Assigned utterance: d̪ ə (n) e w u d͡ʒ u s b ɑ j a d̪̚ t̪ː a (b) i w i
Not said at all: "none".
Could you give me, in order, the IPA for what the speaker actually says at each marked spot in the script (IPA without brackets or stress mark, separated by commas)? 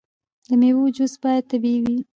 m, b